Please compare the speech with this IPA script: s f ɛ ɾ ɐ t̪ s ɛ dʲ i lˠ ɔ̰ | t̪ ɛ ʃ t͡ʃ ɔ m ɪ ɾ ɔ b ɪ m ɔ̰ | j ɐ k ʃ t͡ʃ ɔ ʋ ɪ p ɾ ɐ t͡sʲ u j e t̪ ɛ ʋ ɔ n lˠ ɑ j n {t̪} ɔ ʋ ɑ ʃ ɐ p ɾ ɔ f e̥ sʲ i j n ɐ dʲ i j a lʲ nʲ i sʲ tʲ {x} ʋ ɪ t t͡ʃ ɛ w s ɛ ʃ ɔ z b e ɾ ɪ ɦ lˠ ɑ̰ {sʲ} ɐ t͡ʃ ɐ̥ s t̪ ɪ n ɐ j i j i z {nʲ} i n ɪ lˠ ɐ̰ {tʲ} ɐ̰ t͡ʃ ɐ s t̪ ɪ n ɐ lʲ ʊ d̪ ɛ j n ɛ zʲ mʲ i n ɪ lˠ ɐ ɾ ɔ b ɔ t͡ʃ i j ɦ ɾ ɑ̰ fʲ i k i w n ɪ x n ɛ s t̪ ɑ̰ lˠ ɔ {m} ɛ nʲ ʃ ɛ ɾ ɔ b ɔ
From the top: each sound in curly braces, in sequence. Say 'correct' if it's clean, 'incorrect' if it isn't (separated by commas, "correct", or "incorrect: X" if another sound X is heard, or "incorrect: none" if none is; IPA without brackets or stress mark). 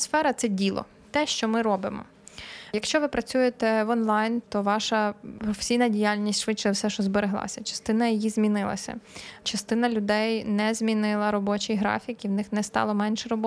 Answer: correct, incorrect: ʃ, correct, incorrect: mʲ, incorrect: sʲ, correct